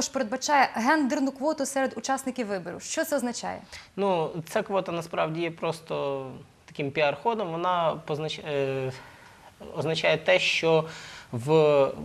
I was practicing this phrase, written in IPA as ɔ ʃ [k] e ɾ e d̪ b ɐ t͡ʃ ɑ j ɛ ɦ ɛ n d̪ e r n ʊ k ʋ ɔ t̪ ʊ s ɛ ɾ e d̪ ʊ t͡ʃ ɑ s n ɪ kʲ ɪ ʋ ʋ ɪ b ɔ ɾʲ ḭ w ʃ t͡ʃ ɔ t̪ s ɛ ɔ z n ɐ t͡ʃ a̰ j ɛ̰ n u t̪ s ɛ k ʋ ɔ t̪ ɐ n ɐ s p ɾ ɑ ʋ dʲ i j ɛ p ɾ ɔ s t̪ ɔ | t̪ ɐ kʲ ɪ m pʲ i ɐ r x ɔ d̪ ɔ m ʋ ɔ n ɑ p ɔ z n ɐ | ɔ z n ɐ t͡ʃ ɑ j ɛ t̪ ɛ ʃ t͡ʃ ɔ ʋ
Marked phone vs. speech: incorrect: p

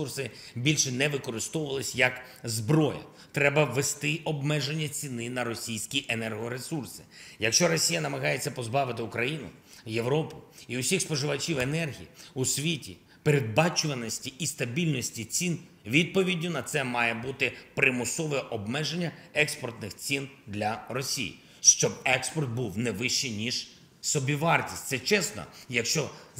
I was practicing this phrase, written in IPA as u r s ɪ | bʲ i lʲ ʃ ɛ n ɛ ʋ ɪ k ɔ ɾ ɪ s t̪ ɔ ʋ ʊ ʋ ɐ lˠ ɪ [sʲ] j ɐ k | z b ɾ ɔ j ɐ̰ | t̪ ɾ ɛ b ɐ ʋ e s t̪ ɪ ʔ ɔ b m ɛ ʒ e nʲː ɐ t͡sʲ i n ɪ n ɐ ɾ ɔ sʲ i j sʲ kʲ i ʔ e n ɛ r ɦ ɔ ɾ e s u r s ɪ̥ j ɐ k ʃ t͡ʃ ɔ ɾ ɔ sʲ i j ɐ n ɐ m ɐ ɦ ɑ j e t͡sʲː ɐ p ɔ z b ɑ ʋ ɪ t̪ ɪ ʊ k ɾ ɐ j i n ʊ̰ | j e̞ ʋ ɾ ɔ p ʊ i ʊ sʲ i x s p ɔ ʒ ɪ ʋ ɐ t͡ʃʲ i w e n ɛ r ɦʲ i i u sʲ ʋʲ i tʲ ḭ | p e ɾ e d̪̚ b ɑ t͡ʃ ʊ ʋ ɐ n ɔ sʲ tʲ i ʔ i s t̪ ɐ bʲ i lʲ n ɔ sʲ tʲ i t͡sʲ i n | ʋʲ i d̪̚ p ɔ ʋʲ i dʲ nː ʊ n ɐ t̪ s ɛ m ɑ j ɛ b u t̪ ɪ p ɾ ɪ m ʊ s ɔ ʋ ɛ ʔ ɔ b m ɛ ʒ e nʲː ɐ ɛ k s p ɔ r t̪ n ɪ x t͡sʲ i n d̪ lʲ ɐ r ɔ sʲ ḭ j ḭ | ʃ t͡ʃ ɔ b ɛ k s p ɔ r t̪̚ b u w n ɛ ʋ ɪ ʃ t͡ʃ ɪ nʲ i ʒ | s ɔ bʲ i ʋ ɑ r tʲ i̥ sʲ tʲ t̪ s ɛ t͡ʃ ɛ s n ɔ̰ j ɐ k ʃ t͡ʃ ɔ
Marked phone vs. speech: correct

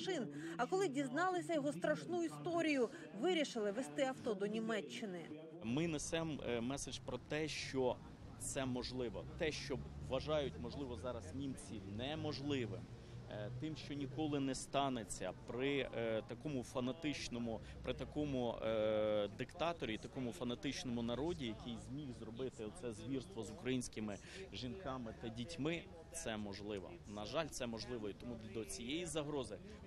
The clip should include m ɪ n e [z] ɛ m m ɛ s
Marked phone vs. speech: incorrect: s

